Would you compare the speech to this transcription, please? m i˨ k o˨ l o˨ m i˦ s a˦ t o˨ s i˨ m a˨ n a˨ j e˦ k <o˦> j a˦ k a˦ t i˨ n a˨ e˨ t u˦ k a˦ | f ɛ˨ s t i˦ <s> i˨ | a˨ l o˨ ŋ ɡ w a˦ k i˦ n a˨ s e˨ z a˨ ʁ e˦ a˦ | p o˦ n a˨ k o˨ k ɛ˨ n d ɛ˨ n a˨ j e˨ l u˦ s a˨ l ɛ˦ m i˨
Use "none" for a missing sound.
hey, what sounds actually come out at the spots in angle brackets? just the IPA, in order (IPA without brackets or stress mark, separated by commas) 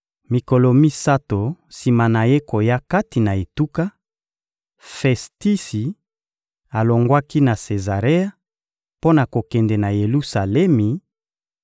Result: o˨, s